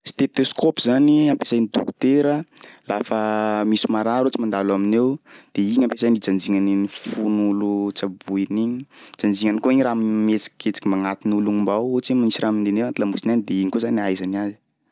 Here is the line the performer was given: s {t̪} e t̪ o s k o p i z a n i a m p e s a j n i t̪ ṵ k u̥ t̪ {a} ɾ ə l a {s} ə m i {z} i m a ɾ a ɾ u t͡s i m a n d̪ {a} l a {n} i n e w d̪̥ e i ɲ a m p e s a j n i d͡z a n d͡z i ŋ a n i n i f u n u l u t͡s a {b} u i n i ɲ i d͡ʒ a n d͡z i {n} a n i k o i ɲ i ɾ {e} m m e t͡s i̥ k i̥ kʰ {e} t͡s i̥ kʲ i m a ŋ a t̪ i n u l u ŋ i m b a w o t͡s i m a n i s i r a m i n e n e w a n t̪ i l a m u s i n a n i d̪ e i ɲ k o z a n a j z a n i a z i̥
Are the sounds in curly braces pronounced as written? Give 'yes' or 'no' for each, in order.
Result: yes, no, no, no, yes, no, yes, no, no, yes

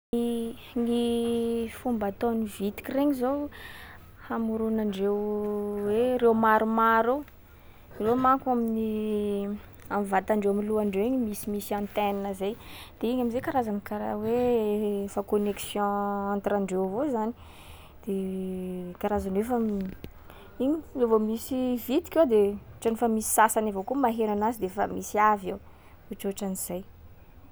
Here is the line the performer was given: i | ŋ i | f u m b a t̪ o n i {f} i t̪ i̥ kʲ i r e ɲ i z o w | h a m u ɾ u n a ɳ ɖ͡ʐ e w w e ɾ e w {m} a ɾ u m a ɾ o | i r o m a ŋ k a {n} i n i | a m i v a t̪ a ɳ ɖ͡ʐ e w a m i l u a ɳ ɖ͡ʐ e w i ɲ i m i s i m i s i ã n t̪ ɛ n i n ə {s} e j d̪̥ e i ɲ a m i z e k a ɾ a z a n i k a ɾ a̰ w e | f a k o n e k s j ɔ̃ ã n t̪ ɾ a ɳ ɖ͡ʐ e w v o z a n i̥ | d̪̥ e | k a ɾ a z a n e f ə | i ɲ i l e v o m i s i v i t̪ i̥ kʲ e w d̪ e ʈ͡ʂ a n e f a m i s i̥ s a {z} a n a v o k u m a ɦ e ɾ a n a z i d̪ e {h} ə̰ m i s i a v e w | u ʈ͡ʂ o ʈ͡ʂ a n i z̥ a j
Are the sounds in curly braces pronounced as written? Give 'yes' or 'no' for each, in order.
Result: no, yes, no, no, no, no

